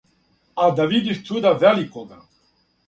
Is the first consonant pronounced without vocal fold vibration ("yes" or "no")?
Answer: no